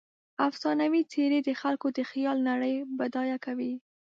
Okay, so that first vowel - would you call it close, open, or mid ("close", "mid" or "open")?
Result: open